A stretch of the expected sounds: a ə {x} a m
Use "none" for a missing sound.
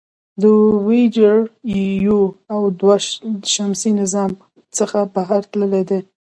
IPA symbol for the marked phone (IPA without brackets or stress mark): ʃ